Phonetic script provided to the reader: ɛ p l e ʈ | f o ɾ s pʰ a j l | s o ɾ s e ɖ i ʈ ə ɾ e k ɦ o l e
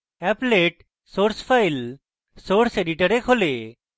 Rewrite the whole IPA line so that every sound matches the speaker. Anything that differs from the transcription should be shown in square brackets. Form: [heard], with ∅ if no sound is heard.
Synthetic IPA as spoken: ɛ p l e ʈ | [s] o ɾ s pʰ a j l | s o ɾ s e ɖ i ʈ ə ɾ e k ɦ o l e